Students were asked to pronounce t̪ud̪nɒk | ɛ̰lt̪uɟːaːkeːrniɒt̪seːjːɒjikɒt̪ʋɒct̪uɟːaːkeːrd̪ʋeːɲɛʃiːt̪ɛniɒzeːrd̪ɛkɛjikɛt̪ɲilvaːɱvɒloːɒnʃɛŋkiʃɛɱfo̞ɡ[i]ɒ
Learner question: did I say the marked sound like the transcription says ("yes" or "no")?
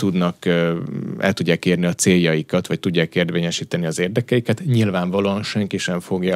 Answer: no